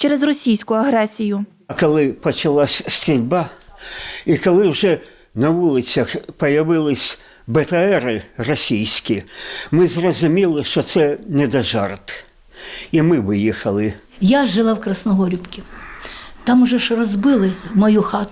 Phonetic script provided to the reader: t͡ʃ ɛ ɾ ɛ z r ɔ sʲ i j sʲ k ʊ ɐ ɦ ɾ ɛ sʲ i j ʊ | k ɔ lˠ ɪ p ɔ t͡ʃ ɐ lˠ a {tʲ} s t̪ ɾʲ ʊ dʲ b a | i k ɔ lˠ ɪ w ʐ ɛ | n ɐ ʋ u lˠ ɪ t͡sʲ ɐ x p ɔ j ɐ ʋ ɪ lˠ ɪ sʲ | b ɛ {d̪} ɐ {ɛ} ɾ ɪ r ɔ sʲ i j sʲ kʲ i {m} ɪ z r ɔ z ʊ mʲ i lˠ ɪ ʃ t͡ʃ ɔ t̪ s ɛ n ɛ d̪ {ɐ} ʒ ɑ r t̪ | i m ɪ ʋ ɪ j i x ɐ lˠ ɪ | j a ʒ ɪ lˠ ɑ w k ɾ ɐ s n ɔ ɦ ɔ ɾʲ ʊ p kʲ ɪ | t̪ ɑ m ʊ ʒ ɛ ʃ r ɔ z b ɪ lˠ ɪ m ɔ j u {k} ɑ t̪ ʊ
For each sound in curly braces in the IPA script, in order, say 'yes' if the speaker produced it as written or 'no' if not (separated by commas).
no, no, yes, yes, yes, no